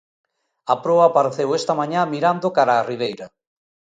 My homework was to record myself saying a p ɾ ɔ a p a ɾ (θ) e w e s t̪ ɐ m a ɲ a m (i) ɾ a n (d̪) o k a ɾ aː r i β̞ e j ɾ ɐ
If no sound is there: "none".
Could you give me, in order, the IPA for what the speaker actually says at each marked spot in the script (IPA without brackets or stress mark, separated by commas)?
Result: θ, i, d̪